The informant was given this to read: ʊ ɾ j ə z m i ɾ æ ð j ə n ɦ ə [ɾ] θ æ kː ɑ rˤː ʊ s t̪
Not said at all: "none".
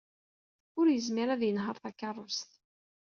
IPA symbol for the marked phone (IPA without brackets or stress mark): ɾ